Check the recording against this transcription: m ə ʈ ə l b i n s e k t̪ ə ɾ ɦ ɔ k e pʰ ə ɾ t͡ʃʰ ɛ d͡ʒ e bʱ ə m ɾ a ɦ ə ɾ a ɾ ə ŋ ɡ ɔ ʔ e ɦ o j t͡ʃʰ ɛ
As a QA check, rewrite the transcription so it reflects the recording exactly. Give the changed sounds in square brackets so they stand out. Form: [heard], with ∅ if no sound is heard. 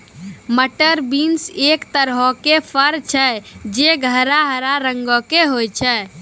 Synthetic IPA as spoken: m ə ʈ ə [ɾ] b i n s e k t̪ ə ɾ ɦ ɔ k e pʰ ə ɾ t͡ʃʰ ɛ d͡ʒ e [ɡʱ] ə [∅] ɾ a ɦ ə ɾ a ɾ ə ŋ ɡ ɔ [k] e ɦ o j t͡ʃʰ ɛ